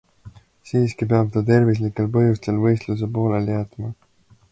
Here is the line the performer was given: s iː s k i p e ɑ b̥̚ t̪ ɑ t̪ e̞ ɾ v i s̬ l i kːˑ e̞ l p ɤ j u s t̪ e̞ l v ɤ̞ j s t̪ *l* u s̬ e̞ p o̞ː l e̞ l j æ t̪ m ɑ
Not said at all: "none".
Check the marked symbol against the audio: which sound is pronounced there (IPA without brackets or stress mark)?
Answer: l